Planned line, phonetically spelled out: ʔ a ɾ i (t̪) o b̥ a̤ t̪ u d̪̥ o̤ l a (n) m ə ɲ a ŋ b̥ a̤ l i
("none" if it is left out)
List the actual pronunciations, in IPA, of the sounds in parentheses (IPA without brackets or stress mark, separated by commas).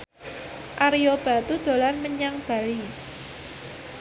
none, n